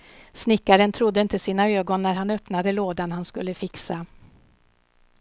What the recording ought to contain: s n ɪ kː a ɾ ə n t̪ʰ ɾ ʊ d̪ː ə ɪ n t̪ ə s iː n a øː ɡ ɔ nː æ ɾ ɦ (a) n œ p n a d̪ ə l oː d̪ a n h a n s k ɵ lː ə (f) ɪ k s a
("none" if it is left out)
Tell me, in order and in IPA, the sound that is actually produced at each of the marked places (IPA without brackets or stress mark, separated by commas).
a, f